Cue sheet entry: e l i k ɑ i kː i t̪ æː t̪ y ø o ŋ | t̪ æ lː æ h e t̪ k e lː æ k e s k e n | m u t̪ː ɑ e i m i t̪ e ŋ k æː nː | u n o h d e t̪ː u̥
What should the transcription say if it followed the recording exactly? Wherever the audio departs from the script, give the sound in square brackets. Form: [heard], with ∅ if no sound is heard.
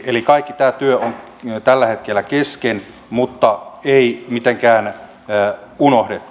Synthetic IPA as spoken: e l i k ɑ i kː i t̪ æː t̪ y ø o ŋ | t̪ æ lː æ h e t̪ k e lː æ k e s k e n | m u t̪ː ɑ e i m i t̪ e ŋ k æː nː | u n o h d e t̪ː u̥